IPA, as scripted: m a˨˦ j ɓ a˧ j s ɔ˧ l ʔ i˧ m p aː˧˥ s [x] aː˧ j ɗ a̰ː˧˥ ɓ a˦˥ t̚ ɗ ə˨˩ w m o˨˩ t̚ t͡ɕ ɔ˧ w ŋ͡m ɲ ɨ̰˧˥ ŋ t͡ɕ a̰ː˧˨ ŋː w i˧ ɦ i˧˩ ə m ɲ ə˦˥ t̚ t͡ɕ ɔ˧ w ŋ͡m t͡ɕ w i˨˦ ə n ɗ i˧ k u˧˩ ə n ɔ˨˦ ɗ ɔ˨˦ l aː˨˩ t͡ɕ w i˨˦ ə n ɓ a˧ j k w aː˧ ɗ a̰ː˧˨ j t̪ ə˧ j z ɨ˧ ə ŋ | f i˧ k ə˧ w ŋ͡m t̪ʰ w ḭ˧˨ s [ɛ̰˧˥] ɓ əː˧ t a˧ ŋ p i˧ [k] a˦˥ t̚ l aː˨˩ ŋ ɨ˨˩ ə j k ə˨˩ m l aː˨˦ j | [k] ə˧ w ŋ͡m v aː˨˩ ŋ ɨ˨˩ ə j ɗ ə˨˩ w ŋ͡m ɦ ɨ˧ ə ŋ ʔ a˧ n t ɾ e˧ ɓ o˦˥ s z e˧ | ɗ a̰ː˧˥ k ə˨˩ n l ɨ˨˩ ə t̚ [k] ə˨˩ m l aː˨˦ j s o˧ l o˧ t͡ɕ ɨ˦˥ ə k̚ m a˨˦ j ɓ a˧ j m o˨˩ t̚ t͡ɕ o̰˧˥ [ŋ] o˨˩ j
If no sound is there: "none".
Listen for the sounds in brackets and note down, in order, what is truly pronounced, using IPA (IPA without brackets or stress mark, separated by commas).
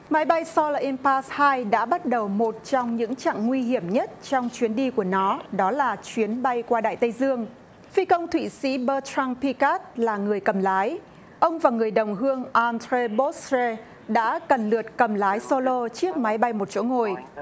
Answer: h, ḭ˧˥, k, ʔ, k, ŋ